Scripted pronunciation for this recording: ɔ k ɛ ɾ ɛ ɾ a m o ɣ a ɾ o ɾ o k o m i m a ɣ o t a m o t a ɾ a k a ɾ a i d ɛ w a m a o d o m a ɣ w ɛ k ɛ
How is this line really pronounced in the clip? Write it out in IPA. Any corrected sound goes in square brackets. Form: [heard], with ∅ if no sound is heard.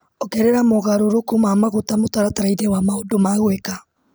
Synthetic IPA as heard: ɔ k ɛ ɾ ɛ ɾ a m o ɣ a ɾ o ɾ o k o m [a] m a ɣ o t a m o t a ɾ a [t] a ɾ a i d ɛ w a m a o d o m a ɣ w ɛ k [a]